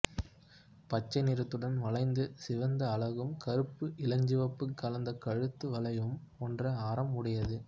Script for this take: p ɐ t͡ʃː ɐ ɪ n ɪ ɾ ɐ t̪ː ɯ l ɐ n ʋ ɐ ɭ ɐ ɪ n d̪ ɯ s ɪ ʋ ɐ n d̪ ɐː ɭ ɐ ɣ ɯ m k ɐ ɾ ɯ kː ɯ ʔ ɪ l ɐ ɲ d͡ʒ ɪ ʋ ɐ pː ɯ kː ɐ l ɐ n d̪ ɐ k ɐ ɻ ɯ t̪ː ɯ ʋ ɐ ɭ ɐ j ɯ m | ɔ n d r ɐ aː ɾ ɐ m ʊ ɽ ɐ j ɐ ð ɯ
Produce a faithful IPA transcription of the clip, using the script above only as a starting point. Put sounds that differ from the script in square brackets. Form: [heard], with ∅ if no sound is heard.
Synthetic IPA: p ɐ t͡ʃː ɐ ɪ n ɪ ɾ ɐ t̪ː ɯ [ɽ] ɐ n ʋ ɐ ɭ ɐ ɪ n d̪ ɯ s ɪ ʋ ɐ n d̪ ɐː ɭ ɐ ɣ ɯ m k ɐ ɾ ɯ [pː] ɯ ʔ ɪ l ɐ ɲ d͡ʒ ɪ ʋ ɐ pː ɯ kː ɐ l ɐ n d̪ ɐ k ɐ ɻ ɯ t̪ː ɯ ʋ ɐ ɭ ɐ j ɯ m | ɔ n d r ɐ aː ɾ ɐ m ʊ ɽ ɐ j ɐ ð ɯ